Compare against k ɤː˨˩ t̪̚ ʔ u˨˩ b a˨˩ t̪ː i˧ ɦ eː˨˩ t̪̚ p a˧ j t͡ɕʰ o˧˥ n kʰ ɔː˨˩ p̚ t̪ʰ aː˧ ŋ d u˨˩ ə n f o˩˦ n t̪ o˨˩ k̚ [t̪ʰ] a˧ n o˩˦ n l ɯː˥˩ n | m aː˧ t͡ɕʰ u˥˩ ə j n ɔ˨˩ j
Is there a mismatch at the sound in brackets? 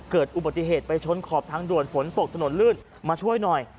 no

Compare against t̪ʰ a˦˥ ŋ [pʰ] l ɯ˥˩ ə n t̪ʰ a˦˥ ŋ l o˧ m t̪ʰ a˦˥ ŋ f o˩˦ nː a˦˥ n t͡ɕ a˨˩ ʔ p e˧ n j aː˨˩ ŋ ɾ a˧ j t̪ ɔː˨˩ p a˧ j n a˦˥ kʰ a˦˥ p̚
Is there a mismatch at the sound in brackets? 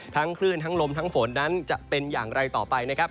yes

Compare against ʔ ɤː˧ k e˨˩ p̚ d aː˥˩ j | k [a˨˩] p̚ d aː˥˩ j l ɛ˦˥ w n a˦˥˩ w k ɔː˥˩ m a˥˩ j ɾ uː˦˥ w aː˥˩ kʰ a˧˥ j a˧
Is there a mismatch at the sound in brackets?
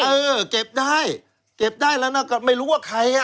yes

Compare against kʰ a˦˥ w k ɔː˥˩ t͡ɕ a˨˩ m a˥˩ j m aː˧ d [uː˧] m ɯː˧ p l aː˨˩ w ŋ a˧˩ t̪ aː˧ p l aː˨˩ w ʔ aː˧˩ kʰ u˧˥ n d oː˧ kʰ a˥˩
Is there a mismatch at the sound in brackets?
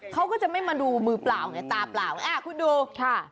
no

